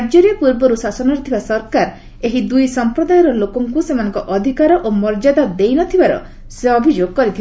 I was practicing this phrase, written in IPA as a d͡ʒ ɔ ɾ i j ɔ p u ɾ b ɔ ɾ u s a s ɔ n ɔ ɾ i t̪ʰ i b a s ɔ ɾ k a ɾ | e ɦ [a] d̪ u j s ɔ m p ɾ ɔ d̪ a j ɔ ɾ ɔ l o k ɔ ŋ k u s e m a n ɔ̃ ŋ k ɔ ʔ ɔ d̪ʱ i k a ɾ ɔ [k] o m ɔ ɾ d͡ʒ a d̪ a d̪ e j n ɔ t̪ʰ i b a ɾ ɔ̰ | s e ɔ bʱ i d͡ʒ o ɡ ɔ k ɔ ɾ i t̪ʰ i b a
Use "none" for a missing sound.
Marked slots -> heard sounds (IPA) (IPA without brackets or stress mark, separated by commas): i, ʔ